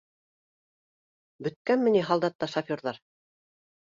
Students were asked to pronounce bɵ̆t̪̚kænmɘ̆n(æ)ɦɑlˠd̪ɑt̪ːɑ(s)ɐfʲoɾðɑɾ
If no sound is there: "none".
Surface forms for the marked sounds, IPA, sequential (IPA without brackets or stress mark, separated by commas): i, ʃ